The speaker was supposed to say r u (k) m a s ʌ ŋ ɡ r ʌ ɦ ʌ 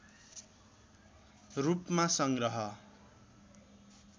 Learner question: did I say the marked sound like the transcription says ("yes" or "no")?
no